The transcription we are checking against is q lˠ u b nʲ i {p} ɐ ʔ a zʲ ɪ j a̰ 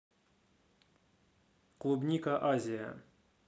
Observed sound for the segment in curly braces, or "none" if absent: k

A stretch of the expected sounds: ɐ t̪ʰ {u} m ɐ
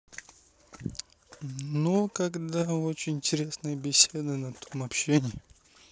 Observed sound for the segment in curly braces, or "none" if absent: o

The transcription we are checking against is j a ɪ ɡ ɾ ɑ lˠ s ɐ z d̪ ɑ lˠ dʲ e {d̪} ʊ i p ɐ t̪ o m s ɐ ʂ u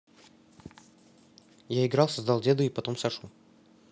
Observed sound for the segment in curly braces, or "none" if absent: d̪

